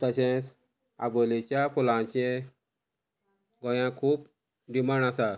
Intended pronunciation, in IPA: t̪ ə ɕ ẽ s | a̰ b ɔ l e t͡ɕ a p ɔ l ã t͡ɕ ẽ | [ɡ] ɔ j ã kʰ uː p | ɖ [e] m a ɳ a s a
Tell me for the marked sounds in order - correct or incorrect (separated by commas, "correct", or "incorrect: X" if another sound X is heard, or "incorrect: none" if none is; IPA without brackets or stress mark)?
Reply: correct, incorrect: i